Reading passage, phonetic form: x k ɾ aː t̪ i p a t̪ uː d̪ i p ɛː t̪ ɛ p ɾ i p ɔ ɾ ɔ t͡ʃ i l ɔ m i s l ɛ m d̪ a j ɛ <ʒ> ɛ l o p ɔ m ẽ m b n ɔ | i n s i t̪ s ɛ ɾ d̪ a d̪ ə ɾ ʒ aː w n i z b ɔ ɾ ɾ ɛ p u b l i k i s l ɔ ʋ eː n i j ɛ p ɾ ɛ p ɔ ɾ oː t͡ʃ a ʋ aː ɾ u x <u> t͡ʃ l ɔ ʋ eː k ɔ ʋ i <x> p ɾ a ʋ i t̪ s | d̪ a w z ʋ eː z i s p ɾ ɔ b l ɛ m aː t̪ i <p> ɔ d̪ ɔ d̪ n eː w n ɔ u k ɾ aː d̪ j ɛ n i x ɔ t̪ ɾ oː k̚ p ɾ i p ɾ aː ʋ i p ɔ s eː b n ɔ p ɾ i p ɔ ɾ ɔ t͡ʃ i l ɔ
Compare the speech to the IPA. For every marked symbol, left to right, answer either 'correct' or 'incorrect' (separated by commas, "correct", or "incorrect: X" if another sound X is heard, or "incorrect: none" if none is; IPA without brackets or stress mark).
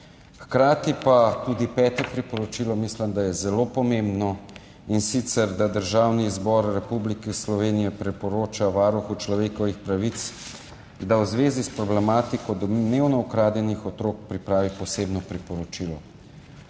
incorrect: z, correct, correct, incorrect: k